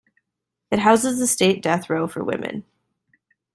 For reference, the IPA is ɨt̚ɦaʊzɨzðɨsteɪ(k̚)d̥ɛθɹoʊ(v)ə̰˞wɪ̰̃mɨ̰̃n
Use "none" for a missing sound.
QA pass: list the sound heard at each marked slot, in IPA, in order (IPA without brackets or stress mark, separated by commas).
t̚, f